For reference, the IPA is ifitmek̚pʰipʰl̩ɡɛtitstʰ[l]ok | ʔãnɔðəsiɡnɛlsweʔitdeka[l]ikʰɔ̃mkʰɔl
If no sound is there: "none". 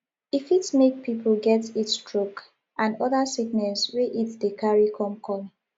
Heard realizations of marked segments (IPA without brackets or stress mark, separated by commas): ɹ, ɹ